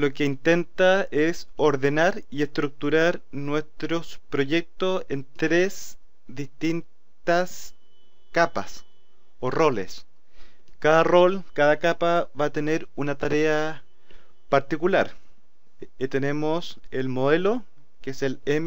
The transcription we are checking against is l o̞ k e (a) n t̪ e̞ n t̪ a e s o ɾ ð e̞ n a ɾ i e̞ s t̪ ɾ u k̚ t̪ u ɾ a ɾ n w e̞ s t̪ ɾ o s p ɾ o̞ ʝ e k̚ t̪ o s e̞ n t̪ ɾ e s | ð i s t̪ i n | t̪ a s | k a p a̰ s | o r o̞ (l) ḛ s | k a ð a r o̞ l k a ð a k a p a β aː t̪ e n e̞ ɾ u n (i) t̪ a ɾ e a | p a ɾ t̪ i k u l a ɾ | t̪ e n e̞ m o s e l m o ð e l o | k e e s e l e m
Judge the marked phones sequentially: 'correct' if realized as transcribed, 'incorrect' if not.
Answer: incorrect: i, correct, incorrect: a

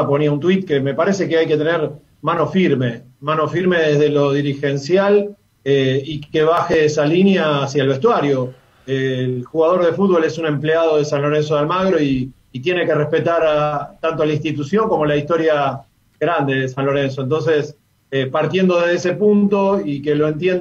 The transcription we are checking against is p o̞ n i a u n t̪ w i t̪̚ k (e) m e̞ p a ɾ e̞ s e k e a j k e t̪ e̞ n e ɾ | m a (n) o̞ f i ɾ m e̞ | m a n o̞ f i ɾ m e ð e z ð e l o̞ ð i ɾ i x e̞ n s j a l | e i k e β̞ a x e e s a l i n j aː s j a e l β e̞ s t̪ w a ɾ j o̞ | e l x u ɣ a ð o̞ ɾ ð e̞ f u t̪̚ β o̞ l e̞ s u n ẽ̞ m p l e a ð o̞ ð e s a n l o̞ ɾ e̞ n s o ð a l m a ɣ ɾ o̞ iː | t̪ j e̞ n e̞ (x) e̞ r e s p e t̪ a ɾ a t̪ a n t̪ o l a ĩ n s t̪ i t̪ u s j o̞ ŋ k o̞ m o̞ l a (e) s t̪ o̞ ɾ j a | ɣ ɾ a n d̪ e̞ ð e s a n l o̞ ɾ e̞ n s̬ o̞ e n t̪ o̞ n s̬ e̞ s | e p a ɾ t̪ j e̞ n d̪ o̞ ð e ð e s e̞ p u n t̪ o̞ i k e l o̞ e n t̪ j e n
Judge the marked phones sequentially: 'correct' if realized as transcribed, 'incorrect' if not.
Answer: correct, correct, incorrect: k, incorrect: i

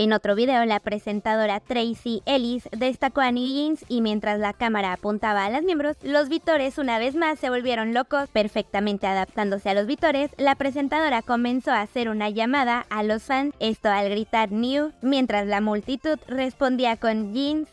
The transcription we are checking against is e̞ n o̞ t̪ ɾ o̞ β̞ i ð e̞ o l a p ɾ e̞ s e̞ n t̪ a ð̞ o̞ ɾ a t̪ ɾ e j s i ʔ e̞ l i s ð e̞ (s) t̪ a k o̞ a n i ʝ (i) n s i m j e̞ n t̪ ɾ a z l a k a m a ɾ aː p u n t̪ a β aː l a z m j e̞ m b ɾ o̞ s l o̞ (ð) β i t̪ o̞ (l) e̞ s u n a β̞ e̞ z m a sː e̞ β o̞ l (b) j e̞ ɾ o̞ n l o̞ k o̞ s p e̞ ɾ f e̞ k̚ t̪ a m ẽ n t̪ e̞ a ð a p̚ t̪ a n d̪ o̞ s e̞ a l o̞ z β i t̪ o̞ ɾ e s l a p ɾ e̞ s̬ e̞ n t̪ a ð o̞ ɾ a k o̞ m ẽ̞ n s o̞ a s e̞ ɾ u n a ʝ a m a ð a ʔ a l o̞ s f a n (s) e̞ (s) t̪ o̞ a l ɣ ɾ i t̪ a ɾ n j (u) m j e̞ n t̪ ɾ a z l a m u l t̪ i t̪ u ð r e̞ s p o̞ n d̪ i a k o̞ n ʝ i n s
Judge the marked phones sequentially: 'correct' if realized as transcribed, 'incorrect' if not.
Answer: correct, correct, incorrect: z, incorrect: ɾ, incorrect: β, correct, correct, correct

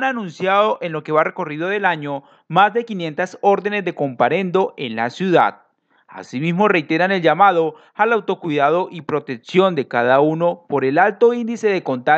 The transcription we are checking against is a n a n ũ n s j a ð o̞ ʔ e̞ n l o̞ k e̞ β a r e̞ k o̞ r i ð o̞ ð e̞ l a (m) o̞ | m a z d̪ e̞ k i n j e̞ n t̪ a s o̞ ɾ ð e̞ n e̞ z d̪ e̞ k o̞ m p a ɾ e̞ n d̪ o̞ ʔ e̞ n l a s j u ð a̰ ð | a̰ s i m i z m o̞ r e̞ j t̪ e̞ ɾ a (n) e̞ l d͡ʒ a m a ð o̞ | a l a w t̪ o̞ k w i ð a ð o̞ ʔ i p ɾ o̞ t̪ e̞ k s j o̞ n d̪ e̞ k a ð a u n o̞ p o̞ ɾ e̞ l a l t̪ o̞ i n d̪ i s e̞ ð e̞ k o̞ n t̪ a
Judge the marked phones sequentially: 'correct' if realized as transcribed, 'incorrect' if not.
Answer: incorrect: ɲ, correct

